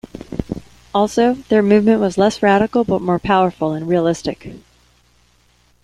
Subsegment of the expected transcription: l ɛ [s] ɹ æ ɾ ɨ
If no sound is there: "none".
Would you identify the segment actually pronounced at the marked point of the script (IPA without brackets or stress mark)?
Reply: s